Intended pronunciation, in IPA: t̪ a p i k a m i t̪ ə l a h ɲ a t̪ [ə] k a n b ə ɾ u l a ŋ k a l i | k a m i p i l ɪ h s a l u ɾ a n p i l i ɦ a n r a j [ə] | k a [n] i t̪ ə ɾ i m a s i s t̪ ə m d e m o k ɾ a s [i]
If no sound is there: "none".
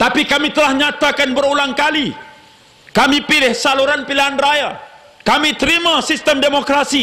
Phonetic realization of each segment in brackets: a, a, m, i

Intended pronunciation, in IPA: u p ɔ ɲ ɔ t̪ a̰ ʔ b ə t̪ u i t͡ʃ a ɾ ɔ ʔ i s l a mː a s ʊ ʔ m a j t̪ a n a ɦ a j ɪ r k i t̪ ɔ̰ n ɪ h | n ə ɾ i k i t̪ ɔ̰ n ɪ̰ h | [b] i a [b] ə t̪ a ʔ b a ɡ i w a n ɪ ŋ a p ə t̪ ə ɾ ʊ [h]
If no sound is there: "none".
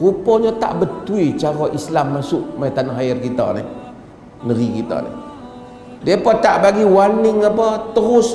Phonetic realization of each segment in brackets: d, p, s

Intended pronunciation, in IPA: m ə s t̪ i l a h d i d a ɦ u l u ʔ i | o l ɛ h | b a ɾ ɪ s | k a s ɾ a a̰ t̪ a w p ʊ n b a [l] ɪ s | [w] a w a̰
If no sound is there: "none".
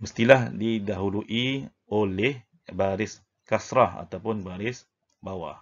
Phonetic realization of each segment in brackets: ɾ, b

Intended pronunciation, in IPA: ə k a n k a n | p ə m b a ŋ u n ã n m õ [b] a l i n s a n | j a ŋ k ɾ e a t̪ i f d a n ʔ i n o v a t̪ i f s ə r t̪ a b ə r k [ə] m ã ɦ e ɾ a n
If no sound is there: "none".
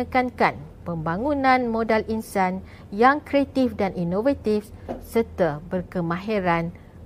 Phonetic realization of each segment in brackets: d, ə

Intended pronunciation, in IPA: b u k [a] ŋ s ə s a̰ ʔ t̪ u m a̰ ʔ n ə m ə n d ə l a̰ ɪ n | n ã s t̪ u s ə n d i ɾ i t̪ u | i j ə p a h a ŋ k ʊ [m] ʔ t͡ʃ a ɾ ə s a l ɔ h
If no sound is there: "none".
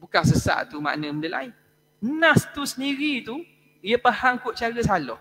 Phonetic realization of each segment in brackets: a, none

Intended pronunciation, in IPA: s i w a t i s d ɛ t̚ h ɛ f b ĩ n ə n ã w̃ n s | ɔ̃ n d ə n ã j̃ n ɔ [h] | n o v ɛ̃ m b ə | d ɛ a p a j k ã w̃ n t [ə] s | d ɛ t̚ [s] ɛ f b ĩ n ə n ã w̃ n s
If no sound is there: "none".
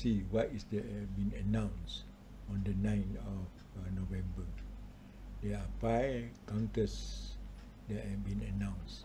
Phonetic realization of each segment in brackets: f, ə, h

